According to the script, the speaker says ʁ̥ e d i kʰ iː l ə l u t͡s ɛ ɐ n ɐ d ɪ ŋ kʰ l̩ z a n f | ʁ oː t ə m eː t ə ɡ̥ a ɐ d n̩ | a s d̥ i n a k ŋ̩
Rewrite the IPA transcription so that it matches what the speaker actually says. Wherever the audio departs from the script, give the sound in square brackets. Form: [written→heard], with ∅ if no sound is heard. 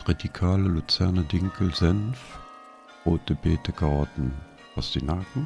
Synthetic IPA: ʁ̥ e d i kʰ [iː→aː] l ə l u t͡s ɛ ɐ n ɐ d ɪ ŋ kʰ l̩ z [a→ɛ] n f | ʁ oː t ə [m→b] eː t ə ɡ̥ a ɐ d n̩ | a s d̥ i n a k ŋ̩